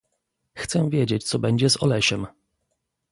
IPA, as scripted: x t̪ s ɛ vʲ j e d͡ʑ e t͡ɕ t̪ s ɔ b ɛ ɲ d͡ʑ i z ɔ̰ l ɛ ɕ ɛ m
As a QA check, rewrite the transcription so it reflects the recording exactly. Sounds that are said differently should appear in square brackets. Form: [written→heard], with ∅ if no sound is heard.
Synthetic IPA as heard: x t̪ s ɛ vʲ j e d͡ʑ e t͡ɕ t̪ s ɔ b ɛ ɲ d͡ʑ [i→ɛ] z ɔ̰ l ɛ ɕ ɛ m